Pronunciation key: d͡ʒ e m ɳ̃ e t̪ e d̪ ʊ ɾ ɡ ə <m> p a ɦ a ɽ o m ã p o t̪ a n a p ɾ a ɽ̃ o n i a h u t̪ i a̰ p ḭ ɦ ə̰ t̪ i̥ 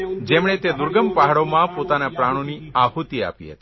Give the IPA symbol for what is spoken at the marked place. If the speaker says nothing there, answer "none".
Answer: m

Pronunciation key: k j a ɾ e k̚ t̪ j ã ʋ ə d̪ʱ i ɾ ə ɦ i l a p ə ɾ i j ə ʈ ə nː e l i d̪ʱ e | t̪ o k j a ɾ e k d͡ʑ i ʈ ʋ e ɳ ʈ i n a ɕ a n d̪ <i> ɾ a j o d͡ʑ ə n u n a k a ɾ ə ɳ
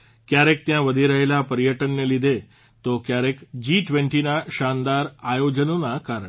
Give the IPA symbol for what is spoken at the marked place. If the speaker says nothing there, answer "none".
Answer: a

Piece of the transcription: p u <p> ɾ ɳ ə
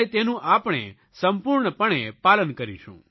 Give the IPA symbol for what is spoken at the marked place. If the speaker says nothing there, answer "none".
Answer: none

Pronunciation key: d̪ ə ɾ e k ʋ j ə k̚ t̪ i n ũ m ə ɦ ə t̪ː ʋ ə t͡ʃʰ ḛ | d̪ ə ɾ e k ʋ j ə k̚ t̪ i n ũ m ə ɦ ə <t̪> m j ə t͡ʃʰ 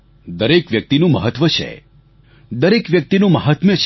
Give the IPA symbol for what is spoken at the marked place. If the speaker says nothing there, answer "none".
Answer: t̪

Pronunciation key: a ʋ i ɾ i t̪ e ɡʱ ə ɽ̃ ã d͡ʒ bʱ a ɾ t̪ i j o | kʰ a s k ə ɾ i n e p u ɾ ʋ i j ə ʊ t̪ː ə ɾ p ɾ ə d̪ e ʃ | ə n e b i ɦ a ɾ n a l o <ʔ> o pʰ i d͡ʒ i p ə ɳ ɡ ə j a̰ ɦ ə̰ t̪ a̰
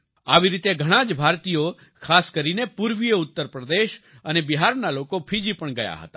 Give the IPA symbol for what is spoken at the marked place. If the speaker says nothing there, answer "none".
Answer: k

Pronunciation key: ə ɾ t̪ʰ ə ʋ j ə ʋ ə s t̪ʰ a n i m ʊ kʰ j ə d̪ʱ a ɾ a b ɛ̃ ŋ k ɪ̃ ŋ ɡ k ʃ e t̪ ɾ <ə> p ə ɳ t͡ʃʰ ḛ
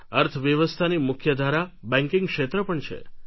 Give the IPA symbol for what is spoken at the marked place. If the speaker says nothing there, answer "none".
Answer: ə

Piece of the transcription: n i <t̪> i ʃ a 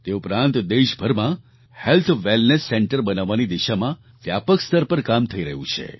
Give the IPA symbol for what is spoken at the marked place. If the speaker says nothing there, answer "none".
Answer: d̪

